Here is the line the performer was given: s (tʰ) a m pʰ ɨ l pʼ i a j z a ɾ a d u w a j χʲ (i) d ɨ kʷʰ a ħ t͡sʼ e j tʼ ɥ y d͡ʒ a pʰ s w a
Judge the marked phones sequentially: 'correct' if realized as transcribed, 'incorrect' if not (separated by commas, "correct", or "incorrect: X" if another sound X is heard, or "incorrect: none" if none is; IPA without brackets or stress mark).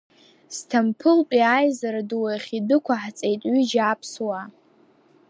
correct, correct